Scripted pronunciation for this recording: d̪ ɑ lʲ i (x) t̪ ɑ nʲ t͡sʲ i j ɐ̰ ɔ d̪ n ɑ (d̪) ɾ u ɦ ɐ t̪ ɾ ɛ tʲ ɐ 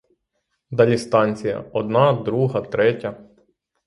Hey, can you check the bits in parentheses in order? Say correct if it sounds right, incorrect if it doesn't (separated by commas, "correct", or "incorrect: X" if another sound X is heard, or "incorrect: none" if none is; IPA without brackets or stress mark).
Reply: incorrect: s, correct